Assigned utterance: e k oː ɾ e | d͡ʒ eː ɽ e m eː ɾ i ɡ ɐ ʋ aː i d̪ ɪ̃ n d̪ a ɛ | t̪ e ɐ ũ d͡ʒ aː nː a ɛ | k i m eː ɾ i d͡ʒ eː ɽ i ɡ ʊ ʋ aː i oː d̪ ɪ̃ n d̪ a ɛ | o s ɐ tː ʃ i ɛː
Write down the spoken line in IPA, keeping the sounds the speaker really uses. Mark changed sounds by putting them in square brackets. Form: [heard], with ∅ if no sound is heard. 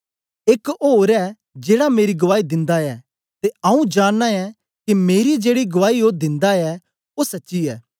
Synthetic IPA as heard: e k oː ɾ [ɛ] | d͡ʒ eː ɽ [a] m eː ɾ i ɡ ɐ ʋ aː i d̪ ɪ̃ n d̪ a ɛ | t̪ e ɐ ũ d͡ʒ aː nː a ɛ | k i m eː ɾ i d͡ʒ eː ɽ i ɡ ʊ ʋ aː i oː d̪ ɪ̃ n d̪ a ɛ | o s ɐ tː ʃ i ɛː

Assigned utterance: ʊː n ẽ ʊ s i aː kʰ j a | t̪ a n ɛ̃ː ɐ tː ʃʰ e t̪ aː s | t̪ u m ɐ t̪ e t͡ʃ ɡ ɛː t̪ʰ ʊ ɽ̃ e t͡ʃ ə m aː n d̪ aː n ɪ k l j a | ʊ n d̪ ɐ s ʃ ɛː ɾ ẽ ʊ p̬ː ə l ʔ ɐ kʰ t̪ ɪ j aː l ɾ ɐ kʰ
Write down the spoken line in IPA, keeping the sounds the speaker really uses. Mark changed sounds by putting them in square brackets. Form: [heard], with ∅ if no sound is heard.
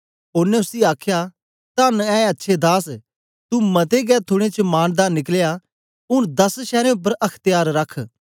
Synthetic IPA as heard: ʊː n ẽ ʊ s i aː kʰ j a | t̪ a n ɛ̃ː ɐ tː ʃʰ e [d̪] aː s | t̪ u m ɐ t̪ e [∅] ɡ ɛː t̪ʰ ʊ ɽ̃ e t͡ʃ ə m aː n d̪ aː n ɪ k l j a | ʊ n d̪ ɐ s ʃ ɛː ɾ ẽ ʊ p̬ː ə [ɾ] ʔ ɐ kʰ t̪ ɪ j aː [ɾ] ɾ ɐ kʰ

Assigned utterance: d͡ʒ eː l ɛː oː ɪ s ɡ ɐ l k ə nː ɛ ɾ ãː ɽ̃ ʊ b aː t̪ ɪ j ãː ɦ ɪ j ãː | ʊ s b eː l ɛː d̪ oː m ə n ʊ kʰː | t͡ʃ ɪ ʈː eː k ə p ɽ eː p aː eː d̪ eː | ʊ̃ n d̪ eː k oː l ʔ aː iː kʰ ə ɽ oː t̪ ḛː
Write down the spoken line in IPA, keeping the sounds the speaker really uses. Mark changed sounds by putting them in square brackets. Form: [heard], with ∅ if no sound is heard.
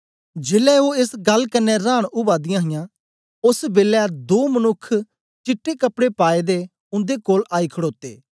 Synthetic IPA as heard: d͡ʒ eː l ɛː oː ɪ s ɡ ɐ l k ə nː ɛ ɾ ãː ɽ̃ ʊ b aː [d̪] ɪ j ãː ɦ ɪ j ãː | ʊ s b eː l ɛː d̪ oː m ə n ʊ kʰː | t͡ʃ ɪ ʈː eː k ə p ɽ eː p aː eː d̪ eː | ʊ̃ n d̪ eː k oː l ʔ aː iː kʰ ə ɽ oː t̪ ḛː

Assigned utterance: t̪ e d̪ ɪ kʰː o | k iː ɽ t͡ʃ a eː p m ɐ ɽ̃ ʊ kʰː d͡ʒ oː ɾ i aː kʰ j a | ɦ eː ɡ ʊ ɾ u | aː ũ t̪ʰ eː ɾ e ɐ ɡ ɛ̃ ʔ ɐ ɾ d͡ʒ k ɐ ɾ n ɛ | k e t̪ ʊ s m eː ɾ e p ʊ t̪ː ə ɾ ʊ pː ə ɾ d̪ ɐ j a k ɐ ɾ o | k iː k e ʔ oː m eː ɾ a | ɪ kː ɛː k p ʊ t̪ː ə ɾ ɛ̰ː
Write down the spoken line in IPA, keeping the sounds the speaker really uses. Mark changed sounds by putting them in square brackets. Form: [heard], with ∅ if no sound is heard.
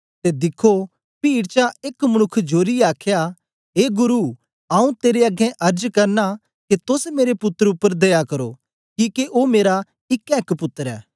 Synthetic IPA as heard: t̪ e d̪ ɪ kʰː o | [p] iː ɽ t͡ʃ a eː [k] m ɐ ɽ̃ ʊ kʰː d͡ʒ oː ɾ i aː kʰ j a | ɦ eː ɡ ʊ ɾ u | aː ũ [t̪] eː ɾ e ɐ ɡ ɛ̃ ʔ ɐ ɾ d͡ʒ k ɐ ɾ n [a] | k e t̪ ʊ s m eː ɾ e p ʊ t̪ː ə ɾ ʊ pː ə ɾ d̪ ɐ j a k ɐ ɾ o | k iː k e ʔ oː m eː ɾ a | ɪ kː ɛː k p ʊ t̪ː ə ɾ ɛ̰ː

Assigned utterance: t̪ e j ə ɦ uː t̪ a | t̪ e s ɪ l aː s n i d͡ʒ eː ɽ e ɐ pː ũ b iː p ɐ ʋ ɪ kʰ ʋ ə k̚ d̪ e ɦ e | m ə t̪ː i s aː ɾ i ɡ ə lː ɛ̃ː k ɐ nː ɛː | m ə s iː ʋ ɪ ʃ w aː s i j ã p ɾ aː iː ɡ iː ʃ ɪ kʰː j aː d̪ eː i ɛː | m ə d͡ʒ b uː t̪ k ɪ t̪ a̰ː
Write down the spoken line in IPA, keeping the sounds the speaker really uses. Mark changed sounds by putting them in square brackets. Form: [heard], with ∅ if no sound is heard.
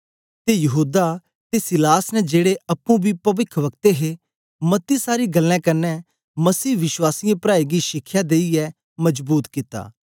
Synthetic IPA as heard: t̪ e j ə ɦ uː [d̪] a | t̪ e s ɪ l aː s n [ɛ] d͡ʒ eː ɽ e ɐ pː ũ b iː p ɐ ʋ ɪ kʰ ʋ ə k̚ [t̪] e ɦ e | m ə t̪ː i s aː ɾ i ɡ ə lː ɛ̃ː k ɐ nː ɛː | m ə s iː ʋ ɪ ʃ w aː s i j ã p ɾ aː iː ɡ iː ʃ ɪ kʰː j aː d̪ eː i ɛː | m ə d͡ʒ b uː t̪ k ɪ t̪ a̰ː

